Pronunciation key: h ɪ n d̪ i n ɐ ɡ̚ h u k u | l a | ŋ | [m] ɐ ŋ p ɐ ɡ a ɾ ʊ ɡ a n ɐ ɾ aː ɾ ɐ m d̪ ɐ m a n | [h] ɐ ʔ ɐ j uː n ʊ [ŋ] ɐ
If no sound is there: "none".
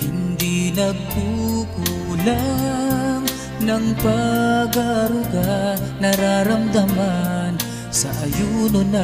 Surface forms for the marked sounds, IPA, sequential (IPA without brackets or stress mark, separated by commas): n, s, n